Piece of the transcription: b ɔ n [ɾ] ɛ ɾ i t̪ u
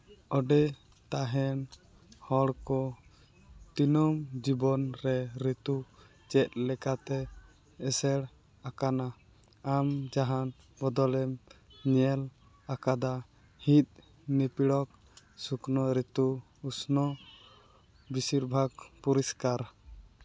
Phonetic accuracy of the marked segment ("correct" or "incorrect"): correct